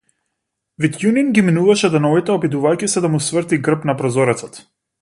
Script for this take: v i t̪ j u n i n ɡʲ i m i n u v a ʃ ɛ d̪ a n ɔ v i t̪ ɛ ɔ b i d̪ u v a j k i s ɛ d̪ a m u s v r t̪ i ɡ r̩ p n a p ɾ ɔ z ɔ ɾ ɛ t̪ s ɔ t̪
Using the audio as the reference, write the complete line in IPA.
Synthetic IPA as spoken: v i t̪ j u n i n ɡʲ i m i n u v a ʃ ɛ d̪ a n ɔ v i t̪ ɛ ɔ b i d̪ u v a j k i s ɛ d̪ a m u s v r t̪ i ɡ r̩ p n a p ɾ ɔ z ɔ ɾ ɛ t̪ s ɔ t̪

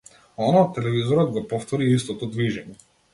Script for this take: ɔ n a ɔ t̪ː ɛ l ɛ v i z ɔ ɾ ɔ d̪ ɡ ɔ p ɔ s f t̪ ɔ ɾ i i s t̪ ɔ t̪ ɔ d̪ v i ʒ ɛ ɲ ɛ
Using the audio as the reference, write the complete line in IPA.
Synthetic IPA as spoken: ɔ n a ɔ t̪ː ɛ l ɛ v i z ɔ ɾ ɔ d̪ ɡ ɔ p ɔ f t̪ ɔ ɾ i i s t̪ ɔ t̪ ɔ d̪ v i ʒ ɛ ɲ ɛ

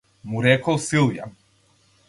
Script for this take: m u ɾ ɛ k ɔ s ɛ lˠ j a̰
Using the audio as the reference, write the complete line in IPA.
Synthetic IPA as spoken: m u ɾ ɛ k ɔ s i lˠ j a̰

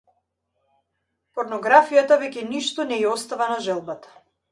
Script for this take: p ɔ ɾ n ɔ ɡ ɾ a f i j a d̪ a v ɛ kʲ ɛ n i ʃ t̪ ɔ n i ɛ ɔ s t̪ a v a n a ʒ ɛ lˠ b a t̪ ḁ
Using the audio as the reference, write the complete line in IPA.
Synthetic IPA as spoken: p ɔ ɾ n ɔ ɡ ɾ a f i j a t̪ a v ɛ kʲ ɛ n i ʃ t̪ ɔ n ɛ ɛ ɔ s t̪ a v a n a ʒ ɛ lˠ b a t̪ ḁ

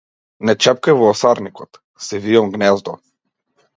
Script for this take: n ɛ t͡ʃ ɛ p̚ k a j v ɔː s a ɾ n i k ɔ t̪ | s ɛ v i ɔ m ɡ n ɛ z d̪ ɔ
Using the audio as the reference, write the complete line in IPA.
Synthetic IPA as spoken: n ɛ t͡ʃ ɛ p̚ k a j v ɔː s a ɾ n i k ɔ t̪ | s ɛ v i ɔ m ɡ n ɛ z d̪ ɔ

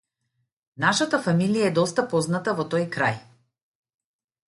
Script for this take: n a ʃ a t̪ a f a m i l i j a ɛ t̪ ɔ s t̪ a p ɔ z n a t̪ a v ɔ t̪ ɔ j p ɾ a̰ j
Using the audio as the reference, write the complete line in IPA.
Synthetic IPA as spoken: n a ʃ a t̪ a f a m i l i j a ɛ d̪ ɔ s t̪ a p ɔ z n a t̪ a v ɔ t̪ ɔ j k ɾ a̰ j

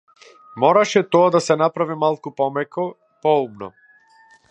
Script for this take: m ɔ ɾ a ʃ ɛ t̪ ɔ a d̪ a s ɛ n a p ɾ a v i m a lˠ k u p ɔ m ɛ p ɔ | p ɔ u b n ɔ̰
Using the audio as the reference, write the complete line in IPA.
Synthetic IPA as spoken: m ɔ ɾ a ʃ ɛ t̪ ɔ a d̪ a s ɛ n a p ɾ a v i m a lˠ k u p ɔ m ɛ k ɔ | p ɔ u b n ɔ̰

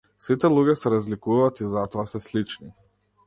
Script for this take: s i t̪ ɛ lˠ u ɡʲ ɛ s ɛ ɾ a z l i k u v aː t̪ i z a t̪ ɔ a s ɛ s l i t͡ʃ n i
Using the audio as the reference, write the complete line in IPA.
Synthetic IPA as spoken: s i t̪ ɛ lˠ u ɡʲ ɛ s ɛ ɾ a z l i k u v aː t̪ i z a t̪ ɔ a s ɛ s l i t͡ʃ n i

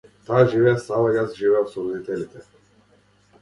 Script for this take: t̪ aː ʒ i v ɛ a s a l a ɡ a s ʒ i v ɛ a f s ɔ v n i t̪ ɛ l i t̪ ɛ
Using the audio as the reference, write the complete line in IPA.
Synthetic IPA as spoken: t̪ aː ʒ i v ɛ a s a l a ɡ a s ʒ i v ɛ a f s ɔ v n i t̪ ɛ l i t̪ ɛ

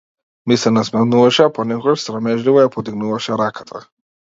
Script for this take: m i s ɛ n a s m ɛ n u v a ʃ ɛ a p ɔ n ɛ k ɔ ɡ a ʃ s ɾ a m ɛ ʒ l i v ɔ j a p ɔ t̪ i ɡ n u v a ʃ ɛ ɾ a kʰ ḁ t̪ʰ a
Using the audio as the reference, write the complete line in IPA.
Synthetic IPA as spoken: m i s ɛ n a s m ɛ n u v a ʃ ɛ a p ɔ n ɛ k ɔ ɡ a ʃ s ɾ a m ɛ ʒ l i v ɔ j a p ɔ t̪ i ɡ n u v a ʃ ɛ ɾ a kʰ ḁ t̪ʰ a

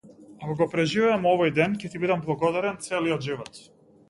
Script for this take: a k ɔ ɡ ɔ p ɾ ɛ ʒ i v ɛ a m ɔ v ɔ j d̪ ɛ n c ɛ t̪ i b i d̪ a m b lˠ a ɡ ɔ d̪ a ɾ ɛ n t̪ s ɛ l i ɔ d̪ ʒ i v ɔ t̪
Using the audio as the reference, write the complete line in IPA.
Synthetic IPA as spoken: a k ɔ ɡ ɔ p ɾ ɛ ʒ i v ɛ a m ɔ v ɔ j d̪ ɛ n c ɛ t̪ i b i d̪ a m b lˠ a ɡ ɔ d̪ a ɾ ɛ n t̪ s ɛ l i ɔ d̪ ʒ i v ɔ t̪

